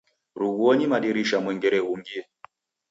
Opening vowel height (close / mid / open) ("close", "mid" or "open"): close